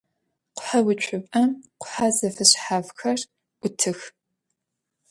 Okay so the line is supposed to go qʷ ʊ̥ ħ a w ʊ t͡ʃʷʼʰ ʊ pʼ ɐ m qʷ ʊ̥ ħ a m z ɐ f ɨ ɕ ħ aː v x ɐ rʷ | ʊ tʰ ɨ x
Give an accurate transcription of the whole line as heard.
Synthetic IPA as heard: qʷ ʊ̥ ħ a w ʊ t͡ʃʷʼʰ ʊ pʼ ɐ m qʷ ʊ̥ ħ a z ɐ f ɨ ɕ ħ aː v x ɐ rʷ | ʊ tʰ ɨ x